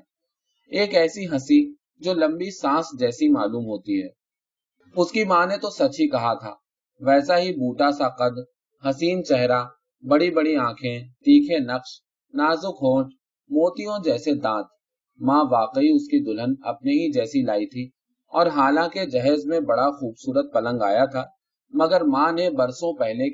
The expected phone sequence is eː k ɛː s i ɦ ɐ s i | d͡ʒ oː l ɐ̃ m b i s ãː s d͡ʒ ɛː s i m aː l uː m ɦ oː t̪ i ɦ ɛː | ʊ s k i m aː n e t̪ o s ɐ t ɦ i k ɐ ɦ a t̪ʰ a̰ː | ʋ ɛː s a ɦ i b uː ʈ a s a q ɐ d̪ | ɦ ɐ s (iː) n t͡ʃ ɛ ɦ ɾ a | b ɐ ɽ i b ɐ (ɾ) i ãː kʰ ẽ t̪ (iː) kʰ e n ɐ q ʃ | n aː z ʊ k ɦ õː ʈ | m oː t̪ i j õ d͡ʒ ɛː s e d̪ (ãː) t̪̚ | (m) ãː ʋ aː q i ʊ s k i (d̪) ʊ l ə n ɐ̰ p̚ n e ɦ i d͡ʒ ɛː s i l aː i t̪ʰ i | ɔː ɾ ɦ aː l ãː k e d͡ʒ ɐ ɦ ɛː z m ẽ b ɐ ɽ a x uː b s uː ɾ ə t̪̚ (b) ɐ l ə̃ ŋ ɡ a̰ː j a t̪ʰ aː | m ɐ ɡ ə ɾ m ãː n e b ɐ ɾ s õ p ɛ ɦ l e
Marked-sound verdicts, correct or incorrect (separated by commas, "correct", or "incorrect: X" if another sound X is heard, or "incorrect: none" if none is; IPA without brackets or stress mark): correct, incorrect: ɽ, correct, correct, correct, correct, incorrect: p